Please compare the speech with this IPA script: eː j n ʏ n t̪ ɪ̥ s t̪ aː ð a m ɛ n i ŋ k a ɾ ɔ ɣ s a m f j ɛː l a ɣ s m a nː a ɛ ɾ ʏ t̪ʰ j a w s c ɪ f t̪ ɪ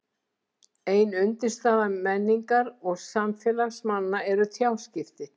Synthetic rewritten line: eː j n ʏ n t̪ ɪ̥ s t̪ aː ð a m ɛ nː i ŋ k a ɾ ɔ ɣ s a m f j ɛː l a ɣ s m a nː a ɛ ɾ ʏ t̪ʰ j a w s c ɪ f t̪ ɪ